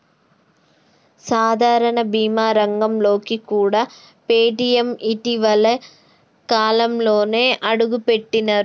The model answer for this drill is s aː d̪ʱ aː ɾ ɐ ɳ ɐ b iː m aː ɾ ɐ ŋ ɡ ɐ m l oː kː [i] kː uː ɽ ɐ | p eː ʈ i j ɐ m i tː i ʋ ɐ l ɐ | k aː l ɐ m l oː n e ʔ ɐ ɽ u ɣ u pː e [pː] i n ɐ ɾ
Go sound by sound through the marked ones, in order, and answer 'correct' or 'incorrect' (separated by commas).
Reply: correct, incorrect